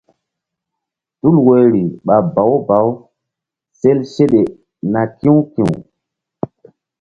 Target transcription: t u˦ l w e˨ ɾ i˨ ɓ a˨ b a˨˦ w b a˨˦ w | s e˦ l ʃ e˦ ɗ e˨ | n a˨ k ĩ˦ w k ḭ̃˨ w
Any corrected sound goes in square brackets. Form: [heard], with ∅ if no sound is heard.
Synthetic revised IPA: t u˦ l w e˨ ɾ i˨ ɓ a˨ b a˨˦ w b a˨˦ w | s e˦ l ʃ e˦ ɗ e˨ | n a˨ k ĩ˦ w k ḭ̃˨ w